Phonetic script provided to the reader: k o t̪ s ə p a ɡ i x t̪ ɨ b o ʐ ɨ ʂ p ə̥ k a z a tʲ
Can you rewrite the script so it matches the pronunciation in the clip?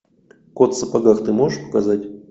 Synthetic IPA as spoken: k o t̪ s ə p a ɡ a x t̪ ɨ m o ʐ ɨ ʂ p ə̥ k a z a tʲ